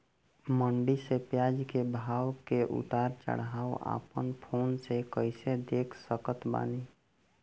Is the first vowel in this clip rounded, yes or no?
no